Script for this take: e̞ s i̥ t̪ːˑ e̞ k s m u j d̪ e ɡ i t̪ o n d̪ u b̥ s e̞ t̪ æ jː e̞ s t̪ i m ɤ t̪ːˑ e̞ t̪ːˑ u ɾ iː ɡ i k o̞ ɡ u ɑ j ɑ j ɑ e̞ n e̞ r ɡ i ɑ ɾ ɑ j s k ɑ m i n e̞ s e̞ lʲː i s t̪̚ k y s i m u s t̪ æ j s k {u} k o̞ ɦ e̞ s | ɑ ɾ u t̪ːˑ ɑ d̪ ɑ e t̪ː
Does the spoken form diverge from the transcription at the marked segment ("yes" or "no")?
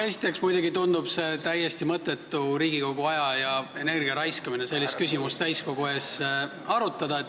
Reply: yes